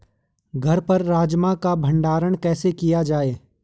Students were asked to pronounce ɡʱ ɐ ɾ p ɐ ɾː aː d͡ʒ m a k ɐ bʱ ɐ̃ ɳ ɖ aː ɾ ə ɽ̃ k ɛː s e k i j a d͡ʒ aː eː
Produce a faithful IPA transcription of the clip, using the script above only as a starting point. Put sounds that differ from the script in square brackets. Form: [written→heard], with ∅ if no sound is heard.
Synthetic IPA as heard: ɡʱ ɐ ɾ p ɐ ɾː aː d͡ʒ m a k [ɐ→a] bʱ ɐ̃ ɳ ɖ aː ɾ ə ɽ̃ k ɛː s e k i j a d͡ʒ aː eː